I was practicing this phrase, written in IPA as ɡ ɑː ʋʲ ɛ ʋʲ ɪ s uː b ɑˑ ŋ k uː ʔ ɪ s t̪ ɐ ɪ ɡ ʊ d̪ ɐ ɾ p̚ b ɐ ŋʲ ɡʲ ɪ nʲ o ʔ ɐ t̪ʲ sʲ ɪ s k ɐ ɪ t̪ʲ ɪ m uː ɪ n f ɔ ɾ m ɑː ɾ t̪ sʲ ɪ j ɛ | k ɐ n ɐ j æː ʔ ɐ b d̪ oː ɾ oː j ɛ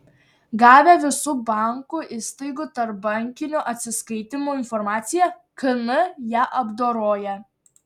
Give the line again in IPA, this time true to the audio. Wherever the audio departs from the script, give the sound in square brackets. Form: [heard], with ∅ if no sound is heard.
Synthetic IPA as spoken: ɡ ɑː ʋʲ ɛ ʋʲ ɪ s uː b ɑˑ ŋ k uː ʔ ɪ s t̪ ɐ ɪ ɡ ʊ [t̪] ɐ ɾ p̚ b ɐ ŋʲ [kʲ] ɪ nʲ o ʔ ɐ t̪ʲ sʲ ɪ s k ɐ ɪ t̪ʲ ɪ m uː ɪ n f ɔ ɾ m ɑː [∅] t̪ sʲ ɪ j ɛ | k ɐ n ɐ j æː ʔ ɐ b d̪ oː ɾ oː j ɛ